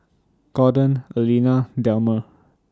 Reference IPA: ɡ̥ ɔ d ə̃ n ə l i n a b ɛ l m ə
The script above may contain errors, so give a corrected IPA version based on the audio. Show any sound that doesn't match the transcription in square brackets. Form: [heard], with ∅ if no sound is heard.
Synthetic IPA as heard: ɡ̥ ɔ d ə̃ n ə l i n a [d] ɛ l m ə